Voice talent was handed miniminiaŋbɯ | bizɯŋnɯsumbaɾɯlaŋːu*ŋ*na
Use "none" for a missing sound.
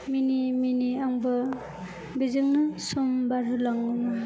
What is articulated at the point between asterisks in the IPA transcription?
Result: none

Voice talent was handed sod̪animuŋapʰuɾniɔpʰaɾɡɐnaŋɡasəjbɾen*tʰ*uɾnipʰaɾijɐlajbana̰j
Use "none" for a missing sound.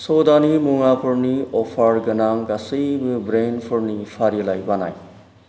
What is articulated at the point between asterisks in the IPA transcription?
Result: pʰ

